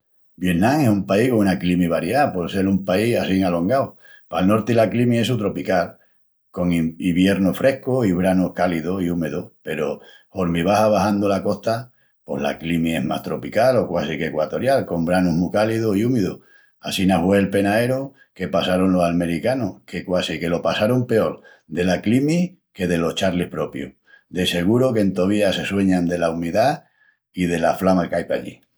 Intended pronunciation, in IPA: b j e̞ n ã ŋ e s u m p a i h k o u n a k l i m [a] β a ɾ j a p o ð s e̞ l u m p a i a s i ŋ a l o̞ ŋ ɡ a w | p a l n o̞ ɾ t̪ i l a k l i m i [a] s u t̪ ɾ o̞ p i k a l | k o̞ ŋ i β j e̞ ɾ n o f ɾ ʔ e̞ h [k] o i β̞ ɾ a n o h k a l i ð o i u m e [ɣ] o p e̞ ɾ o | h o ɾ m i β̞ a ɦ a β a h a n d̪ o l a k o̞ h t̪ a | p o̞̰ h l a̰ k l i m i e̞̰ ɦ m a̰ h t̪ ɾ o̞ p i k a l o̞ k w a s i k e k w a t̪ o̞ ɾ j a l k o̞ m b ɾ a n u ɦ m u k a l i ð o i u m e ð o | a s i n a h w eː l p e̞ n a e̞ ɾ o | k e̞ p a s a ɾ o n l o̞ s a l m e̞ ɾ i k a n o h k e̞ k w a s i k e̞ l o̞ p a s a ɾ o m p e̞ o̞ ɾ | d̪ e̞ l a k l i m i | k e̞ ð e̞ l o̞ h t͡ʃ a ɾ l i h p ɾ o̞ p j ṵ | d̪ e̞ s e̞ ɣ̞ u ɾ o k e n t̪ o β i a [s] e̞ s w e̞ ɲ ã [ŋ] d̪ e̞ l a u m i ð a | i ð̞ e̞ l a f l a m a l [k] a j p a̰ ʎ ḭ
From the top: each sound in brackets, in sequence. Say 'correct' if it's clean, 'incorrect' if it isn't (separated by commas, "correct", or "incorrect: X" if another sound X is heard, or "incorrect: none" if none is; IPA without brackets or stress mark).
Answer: incorrect: i, incorrect: e, correct, incorrect: ð, correct, incorrect: n, correct